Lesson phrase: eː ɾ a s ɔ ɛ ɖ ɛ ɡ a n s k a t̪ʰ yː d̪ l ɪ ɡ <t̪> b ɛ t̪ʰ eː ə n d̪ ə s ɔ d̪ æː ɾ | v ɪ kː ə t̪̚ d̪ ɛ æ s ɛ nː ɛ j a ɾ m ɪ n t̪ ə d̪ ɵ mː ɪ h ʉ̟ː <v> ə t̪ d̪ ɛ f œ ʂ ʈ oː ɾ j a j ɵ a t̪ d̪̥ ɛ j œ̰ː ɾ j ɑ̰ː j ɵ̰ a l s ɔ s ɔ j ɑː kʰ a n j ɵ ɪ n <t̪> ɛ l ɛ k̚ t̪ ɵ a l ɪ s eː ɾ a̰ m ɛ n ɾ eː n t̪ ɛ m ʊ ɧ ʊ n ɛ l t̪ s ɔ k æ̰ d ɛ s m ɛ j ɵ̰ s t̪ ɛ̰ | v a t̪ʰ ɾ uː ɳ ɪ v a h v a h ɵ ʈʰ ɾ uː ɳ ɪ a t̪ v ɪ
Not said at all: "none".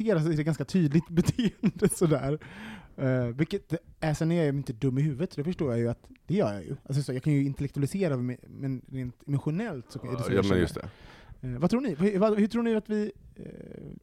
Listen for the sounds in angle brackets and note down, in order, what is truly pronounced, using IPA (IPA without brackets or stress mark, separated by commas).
t̪, v, t̪